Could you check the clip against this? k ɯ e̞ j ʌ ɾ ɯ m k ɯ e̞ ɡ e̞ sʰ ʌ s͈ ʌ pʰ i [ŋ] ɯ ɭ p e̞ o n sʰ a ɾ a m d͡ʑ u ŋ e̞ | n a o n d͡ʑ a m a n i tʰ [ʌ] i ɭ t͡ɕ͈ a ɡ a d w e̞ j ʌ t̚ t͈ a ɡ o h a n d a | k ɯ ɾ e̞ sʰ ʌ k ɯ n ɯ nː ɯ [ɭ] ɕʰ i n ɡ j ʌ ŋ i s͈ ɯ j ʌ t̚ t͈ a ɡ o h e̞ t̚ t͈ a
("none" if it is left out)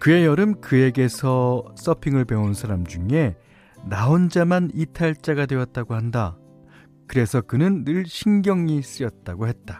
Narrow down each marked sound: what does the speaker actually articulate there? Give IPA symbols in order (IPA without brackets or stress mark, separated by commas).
ŋ, a, ɭ